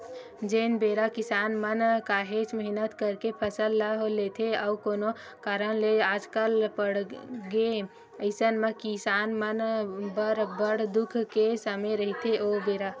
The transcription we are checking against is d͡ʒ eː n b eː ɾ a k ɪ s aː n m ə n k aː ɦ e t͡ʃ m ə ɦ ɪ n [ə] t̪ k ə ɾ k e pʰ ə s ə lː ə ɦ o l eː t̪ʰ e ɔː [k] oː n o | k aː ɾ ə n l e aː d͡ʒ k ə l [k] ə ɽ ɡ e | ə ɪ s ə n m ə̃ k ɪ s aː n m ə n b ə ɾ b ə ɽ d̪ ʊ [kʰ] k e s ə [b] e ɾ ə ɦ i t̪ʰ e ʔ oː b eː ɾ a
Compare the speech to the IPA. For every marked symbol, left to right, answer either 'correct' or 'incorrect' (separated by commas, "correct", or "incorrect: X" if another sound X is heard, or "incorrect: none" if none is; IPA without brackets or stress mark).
correct, correct, incorrect: p, correct, incorrect: m